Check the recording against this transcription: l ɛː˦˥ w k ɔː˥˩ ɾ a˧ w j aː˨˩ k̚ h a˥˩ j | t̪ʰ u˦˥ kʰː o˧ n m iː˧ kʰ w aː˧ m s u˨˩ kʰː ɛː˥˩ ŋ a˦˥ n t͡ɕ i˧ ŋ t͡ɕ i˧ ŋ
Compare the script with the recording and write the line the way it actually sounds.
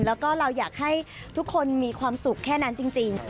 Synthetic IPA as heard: l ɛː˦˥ w k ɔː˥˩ ɾ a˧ w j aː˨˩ k̚ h a˥˩ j | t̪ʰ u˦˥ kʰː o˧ n m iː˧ kʰ w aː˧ m s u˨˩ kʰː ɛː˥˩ n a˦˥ n t͡ɕ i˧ ŋ t͡ɕ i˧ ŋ